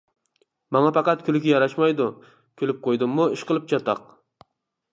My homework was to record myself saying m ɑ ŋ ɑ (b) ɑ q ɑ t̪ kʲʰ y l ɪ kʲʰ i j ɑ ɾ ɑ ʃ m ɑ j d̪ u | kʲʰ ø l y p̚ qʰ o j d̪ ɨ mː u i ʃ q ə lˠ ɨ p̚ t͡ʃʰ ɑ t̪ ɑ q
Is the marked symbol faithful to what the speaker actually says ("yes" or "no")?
no